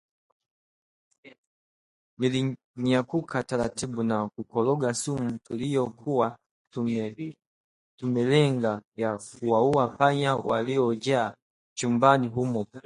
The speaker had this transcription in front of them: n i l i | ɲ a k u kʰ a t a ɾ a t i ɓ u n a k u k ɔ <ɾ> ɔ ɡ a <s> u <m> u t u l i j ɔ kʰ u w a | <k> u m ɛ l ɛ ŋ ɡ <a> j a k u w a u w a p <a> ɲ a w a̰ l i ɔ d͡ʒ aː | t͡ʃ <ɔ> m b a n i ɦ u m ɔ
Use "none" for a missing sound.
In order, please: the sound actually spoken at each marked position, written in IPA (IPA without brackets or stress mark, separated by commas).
l, s, m, t, a, a, u